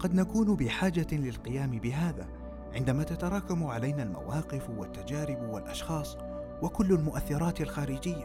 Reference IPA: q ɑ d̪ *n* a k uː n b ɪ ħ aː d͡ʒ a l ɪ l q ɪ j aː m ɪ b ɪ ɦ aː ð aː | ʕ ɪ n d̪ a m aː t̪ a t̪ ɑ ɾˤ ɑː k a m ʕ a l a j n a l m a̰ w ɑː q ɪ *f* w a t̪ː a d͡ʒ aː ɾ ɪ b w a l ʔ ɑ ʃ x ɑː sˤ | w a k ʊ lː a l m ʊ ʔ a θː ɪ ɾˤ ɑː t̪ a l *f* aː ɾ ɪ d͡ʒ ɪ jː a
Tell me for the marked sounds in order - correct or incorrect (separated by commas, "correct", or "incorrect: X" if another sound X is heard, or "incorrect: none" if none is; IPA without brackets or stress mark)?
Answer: correct, correct, incorrect: x